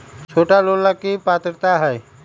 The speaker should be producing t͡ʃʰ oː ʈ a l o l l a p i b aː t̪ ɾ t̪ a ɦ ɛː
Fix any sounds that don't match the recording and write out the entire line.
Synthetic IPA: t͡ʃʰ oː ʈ a l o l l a k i p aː t̪ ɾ t̪ a ɦ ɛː

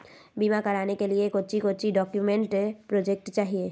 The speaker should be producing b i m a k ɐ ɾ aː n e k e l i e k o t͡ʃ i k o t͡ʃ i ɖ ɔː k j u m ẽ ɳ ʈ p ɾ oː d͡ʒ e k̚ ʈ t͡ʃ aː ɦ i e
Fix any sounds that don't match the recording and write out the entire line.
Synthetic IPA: b i m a k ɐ ɾ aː n e k e l i e k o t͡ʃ i k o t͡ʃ i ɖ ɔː k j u m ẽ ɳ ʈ p ɾ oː d͡ʒ e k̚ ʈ t͡ʃ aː ɦ i e

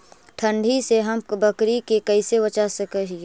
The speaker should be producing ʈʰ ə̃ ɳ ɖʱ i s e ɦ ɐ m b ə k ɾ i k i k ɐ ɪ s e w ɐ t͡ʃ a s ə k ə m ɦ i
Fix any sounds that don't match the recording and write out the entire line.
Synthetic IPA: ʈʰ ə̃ ɳ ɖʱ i s e ɦ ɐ m b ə k ɾ i k e k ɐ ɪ s e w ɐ t͡ʃ a s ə k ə ɦ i

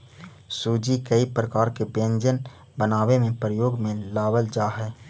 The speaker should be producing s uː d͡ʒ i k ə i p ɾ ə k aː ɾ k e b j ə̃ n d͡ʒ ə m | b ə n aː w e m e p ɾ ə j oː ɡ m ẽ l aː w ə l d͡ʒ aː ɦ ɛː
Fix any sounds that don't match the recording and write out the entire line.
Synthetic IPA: s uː d͡ʒ i k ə i p ɾ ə k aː ɾ k e b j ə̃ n d͡ʒ ə n | b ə n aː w e m ẽ p ɾ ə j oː ɡ m ẽ l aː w ə l d͡ʒ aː ɦ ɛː

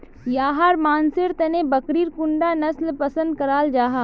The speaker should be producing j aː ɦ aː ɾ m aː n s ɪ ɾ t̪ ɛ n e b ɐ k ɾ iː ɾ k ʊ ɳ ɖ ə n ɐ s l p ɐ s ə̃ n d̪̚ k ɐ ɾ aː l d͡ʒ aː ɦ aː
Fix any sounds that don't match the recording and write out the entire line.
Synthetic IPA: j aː ɦ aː ɾ m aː n s ɪ ɾ t̪ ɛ n e b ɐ k ɾ iː ɾ k ʊ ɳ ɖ a n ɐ s l p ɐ s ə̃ n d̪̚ k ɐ ɾ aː l d͡ʒ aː ɦ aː

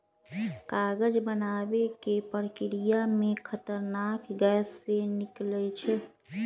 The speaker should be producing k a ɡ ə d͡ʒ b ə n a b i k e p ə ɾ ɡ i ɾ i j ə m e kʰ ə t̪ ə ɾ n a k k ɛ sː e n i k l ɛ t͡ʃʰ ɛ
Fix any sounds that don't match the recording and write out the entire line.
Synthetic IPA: k a ɡ ə d͡ʒ b ə n a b e k e p ə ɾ k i ɾ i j a m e kʰ ə t̪ ə ɾ n a k ɡ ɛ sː e n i k l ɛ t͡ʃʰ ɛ

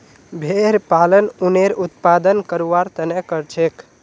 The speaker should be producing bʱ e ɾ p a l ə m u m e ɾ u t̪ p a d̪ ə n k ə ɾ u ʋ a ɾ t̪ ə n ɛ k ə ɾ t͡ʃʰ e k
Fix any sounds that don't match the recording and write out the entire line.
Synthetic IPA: bʱ e ɾ p a l ə n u n e ɾ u t̪ p a d̪ ə n k ə ɾ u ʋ a ɾ t̪ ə n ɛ k ə ɾ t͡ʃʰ e k

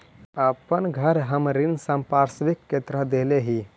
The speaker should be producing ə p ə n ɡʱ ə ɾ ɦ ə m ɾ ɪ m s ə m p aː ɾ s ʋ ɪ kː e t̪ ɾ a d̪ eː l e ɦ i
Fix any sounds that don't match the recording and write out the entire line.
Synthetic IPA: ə p ə n ɡʱ ə ɾ ɦ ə m ɾ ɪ n s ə m p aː ɾ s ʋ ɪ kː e t̪ ɾ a d̪ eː l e ɦ i

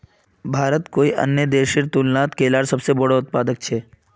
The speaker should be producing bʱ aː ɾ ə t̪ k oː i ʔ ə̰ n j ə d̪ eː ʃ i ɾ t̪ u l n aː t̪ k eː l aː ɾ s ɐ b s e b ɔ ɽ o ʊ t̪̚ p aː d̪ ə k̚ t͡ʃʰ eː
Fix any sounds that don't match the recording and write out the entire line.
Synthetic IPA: bʱ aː ɾ ə t̪ k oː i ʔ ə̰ n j ə d̪ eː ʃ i ɾ t̪ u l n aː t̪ k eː l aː ɾ s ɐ b s e b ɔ ɽ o ʊ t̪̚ p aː d̪ ə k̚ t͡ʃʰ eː

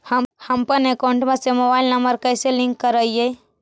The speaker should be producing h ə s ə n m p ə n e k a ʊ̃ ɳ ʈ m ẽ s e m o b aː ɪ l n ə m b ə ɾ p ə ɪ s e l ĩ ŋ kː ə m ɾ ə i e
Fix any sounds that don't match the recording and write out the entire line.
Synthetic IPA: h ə h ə m p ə n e k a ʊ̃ ɳ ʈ m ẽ s e m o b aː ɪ l n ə m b ə ɾ k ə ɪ s e l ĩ ŋ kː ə ɾ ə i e

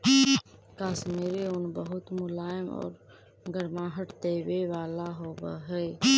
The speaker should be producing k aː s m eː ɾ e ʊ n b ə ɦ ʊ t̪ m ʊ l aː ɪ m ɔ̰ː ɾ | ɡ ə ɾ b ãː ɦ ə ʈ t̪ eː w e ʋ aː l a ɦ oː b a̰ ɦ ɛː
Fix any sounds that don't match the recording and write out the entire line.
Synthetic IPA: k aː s m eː ɾ e ʊ n b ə ɦ ʊ t̪ m ʊ l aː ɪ m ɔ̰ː ɾ | ɡ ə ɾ m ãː ɦ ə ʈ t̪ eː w e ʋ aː l a ɦ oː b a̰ ɦ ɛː

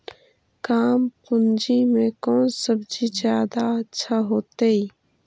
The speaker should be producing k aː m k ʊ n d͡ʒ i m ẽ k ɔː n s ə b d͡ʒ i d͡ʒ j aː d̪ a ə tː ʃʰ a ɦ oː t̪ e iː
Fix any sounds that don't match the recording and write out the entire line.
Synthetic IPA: k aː m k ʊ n d͡ʒ i m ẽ k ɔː n s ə b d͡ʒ i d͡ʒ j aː d̪ a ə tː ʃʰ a ɦ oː t̪ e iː

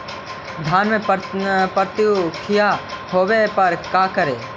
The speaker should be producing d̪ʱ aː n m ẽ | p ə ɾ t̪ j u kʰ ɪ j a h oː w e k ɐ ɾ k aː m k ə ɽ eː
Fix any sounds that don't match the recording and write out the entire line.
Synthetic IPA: d̪ʱ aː n m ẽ | p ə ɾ t̪ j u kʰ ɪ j a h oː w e p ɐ ɾ k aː k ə ɾ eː

